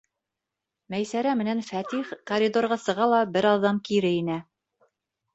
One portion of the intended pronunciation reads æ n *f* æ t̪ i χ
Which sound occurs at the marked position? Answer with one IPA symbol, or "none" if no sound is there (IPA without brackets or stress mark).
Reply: f